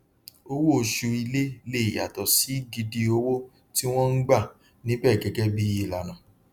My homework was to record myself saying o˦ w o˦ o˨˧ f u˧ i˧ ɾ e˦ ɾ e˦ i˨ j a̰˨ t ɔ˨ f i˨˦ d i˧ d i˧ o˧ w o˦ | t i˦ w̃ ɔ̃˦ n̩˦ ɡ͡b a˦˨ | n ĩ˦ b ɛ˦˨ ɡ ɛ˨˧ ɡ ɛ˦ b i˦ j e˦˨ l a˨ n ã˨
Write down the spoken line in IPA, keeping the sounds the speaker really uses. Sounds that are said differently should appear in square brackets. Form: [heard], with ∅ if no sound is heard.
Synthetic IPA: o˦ w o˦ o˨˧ [ʃ] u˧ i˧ [l] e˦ [l] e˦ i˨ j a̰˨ t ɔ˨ [s] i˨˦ [ɡ] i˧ d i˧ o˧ w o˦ | t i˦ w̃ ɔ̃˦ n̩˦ ɡ͡b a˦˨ | n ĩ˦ b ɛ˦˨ ɡ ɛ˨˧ ɡ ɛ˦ b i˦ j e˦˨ l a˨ n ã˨

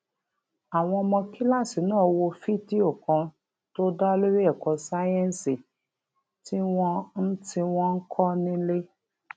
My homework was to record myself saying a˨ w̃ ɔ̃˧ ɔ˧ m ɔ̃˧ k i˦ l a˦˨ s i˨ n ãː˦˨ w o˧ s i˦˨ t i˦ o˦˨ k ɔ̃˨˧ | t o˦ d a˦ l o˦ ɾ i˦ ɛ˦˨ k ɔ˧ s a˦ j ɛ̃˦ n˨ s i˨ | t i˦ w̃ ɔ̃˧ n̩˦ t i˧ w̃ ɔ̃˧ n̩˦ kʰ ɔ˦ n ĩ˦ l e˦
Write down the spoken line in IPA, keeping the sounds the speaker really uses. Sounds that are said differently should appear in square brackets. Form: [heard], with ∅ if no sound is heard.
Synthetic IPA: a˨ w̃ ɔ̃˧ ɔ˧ m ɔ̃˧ k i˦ l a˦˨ s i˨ n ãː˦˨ w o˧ [f] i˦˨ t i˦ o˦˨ k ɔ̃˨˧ | t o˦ d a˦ l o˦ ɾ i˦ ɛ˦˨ k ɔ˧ s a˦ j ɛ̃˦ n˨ s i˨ | t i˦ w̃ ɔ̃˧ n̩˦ t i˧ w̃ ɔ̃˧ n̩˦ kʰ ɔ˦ n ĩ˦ l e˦

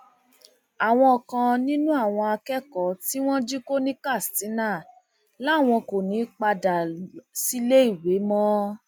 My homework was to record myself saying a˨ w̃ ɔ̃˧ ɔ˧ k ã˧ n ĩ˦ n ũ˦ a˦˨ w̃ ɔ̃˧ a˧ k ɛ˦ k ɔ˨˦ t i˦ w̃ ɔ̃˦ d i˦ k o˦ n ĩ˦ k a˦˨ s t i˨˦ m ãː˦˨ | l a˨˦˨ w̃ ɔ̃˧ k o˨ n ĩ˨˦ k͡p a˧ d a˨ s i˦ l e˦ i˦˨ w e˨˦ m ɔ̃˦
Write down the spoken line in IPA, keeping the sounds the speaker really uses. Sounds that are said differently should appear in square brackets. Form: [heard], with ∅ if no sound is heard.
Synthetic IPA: a˨ w̃ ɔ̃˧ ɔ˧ k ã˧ n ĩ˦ n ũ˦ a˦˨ w̃ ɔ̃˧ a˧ k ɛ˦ k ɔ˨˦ t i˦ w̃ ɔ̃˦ [d͡ʒ] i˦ k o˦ n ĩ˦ k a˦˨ s t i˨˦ [n] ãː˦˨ | l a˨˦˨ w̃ ɔ̃˧ k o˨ n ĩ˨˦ k͡p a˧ d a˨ s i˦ l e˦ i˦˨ w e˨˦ m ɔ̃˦

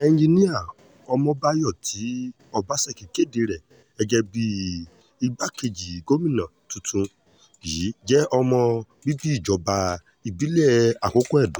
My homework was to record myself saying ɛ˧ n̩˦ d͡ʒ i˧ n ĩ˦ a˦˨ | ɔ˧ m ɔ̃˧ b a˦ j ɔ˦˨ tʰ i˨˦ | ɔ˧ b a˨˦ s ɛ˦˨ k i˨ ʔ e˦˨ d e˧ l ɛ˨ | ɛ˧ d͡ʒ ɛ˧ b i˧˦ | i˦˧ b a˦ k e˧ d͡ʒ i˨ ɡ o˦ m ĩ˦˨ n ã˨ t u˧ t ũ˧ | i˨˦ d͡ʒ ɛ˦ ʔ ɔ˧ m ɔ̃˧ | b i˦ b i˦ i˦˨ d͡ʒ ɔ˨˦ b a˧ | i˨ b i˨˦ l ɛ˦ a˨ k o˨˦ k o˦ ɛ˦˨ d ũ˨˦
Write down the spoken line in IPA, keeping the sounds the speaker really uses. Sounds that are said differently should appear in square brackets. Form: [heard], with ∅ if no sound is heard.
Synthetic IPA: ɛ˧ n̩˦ d͡ʒ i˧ n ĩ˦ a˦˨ | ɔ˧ m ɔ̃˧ b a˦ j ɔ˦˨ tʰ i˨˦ | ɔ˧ b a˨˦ s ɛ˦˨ k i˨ [k] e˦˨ d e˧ [ɾ] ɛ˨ | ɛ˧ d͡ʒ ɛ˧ b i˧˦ | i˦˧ b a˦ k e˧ d͡ʒ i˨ ɡ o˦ m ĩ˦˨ n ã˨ t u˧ t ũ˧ | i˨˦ d͡ʒ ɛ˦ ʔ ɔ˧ m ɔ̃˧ | b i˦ b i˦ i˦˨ d͡ʒ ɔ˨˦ b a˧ | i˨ b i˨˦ l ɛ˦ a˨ k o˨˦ k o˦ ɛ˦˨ d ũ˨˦

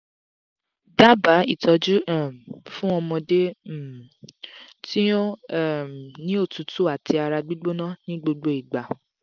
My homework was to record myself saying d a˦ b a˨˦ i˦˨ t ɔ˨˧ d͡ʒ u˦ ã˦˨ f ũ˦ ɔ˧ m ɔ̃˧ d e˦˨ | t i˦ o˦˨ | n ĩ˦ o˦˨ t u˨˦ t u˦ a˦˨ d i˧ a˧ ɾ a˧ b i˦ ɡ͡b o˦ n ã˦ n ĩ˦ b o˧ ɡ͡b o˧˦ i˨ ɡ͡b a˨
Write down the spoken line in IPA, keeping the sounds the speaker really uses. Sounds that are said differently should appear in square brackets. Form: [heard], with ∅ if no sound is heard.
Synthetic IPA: d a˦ b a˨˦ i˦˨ t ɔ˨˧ d͡ʒ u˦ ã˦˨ f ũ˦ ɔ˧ m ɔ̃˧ d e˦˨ | t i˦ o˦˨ | n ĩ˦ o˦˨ t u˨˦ t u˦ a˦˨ [t] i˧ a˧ ɾ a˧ [ɡ͡b] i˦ ɡ͡b o˦ n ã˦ n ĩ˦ [ɡ͡b] o˧ ɡ͡b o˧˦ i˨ ɡ͡b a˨

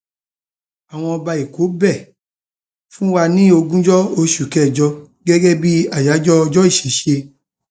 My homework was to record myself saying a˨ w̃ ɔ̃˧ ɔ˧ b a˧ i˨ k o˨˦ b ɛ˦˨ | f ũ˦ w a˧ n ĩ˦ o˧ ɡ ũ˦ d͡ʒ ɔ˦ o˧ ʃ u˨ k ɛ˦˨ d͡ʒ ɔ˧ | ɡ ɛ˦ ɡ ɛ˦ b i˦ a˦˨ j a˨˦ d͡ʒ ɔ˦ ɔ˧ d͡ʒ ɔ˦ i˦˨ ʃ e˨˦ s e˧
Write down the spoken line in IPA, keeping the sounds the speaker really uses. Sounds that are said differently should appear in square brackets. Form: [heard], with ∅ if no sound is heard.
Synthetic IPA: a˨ w̃ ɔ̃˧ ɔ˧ b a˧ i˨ k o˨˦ b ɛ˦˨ | f ũ˦ w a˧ n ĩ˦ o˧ ɡ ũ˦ d͡ʒ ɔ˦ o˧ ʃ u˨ k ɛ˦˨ d͡ʒ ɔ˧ | ɡ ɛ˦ ɡ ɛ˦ b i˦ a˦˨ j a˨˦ d͡ʒ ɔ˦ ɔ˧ d͡ʒ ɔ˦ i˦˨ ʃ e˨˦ [ʃ] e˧

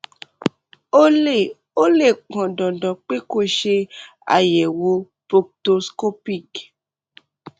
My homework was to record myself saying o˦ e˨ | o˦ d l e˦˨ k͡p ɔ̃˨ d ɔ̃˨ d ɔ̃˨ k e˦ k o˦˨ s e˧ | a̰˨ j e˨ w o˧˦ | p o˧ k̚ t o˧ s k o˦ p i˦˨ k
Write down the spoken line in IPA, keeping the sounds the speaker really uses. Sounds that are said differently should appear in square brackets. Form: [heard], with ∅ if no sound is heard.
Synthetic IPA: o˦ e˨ | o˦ [∅] l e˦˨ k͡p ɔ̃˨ d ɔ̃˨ d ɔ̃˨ [k͡p] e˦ k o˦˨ [ʃ] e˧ | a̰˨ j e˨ w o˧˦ | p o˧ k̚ t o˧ s k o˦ p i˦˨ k

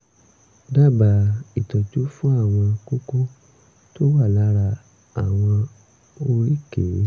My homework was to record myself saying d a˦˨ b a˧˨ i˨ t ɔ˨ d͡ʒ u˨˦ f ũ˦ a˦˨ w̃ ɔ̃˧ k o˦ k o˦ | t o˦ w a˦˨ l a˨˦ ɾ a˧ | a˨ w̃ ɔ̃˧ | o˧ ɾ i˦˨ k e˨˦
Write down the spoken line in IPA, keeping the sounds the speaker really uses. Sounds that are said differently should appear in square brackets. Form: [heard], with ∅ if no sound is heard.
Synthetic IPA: d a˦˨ b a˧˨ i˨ t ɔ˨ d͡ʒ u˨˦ f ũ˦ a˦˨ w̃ ɔ̃˧ k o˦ k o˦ | t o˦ w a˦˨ l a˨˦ ɾ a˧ | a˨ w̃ ɔ̃˧ | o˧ ɾ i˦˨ k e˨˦

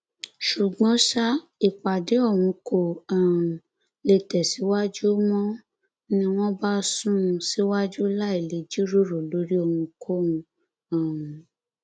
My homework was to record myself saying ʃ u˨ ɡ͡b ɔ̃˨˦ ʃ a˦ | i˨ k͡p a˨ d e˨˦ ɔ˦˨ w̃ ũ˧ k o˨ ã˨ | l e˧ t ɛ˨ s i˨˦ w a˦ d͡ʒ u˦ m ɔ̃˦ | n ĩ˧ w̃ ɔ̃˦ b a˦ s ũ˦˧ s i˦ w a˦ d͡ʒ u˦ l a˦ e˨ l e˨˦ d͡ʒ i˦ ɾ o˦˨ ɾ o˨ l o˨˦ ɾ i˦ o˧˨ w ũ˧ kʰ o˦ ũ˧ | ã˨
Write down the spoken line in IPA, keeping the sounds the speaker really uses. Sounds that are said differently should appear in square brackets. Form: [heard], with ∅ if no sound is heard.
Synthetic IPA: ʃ u˨ ɡ͡b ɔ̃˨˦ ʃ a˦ | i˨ k͡p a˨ d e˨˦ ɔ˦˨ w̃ ũ˧ k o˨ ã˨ | l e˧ t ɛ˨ s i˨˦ w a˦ d͡ʒ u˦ m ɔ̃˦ | n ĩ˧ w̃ ɔ̃˦ b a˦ s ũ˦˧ s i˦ w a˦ d͡ʒ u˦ l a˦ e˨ l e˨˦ d͡ʒ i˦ ɾ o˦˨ ɾ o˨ l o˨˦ ɾ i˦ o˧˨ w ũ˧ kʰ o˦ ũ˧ | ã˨

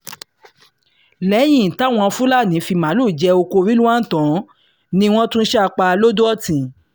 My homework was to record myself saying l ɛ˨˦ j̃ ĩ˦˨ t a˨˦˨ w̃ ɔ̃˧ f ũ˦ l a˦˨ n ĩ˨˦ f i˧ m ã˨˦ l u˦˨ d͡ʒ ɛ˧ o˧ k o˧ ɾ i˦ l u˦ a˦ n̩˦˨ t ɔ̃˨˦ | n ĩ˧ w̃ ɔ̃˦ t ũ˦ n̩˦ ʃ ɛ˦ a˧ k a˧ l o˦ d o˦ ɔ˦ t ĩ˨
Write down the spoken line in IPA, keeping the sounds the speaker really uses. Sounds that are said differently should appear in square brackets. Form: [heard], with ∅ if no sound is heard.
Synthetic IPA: l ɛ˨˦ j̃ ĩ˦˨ t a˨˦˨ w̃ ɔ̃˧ f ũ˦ l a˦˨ n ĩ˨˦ f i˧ m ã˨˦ l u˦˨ d͡ʒ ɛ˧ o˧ k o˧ ɾ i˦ l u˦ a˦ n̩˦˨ t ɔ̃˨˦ | n ĩ˧ w̃ ɔ̃˦ t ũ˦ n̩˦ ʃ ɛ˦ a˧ [k͡p] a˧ l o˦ d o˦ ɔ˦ t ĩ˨

